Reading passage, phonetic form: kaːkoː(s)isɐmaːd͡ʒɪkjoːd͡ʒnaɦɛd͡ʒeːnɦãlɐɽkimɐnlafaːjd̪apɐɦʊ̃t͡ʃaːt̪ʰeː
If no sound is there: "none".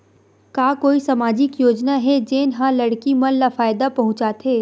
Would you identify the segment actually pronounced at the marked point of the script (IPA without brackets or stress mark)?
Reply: none